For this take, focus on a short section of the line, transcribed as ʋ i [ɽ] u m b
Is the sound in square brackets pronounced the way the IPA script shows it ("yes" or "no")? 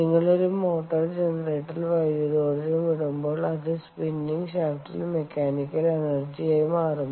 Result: yes